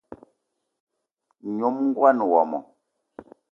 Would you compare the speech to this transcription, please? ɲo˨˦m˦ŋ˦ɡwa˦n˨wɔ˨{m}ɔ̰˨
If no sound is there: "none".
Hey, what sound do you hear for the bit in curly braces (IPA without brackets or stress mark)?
m